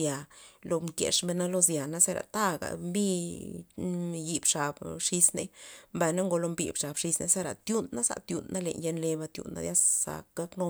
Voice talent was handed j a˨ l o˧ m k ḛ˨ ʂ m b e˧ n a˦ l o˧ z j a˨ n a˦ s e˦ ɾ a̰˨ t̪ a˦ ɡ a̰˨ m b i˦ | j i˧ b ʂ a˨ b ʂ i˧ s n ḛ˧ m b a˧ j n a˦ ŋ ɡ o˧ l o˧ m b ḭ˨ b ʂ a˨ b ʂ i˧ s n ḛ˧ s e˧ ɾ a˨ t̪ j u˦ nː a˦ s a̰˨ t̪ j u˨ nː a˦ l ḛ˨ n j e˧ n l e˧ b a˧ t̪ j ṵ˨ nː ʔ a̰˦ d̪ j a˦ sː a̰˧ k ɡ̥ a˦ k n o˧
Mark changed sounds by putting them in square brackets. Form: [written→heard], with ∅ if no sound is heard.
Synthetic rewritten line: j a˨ l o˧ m k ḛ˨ ʂ m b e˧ n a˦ l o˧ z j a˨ n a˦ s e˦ ɾ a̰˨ t̪ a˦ ɡ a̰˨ m b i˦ | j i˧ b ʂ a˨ b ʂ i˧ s n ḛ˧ m b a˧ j n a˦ ŋ ɡ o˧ l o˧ m b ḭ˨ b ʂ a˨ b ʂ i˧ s n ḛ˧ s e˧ ɾ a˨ t̪ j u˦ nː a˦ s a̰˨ t̪ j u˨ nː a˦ l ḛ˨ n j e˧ n l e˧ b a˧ t̪ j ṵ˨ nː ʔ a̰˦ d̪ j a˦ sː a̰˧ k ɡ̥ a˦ k n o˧